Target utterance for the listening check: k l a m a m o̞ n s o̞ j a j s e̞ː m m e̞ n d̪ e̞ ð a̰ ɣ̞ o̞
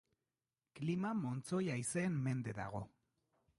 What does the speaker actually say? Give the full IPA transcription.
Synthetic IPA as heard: k l i m a m o̞ n t͡s o̞ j a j s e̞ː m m e̞ n d̪ e̞ ð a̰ ɣ̞ o̞